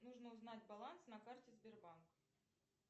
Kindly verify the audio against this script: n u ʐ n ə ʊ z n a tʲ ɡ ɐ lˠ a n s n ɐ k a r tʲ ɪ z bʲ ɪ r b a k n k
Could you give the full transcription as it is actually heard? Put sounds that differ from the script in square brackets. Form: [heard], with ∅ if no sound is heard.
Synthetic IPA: n u ʐ n ə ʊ z n a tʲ [b] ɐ lˠ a n s n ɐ k a r tʲ ɪ z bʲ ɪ r b a [∅] n k